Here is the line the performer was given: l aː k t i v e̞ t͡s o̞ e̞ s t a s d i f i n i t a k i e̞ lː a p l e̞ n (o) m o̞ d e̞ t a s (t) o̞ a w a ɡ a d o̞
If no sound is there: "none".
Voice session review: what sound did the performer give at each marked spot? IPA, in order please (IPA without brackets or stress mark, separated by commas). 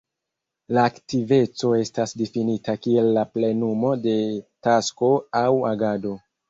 u, k